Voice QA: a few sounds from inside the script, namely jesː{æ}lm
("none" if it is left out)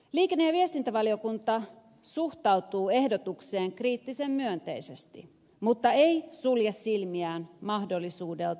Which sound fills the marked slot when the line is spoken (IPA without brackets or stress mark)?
i